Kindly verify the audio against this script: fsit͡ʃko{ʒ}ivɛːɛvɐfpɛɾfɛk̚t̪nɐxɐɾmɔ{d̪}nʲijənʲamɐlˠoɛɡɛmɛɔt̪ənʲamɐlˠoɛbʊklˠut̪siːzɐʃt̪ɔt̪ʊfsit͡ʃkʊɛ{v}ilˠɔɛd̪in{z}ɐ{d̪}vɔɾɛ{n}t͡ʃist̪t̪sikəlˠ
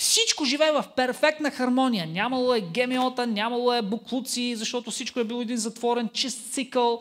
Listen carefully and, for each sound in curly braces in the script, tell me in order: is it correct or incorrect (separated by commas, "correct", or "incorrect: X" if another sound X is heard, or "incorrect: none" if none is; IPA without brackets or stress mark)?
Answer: correct, incorrect: none, incorrect: b, correct, incorrect: t̪, correct